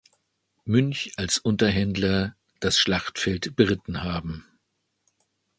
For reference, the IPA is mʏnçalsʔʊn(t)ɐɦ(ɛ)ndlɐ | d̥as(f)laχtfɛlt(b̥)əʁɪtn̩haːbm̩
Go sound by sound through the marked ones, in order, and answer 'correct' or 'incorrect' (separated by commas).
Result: correct, correct, incorrect, correct